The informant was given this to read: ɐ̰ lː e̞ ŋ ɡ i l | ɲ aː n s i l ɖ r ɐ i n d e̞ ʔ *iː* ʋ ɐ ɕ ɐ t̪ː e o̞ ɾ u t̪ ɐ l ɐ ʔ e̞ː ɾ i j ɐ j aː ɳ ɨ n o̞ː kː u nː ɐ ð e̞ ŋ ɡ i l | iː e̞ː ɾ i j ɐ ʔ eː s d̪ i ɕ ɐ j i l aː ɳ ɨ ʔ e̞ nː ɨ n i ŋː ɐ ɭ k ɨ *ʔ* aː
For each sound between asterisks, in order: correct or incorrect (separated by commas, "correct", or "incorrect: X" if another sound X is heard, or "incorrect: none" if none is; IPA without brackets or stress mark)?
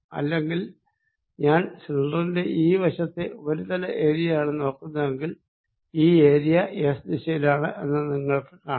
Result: correct, incorrect: k